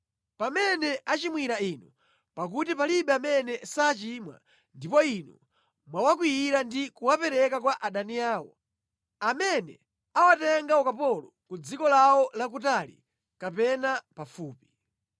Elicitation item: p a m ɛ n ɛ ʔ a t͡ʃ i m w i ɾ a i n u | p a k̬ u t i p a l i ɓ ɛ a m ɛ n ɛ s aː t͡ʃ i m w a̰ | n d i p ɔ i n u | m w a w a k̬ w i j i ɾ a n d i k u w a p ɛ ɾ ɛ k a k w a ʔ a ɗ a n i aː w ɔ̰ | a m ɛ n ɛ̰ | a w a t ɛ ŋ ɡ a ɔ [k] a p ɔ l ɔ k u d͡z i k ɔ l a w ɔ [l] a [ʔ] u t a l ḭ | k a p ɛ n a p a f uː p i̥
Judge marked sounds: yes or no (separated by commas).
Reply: yes, yes, no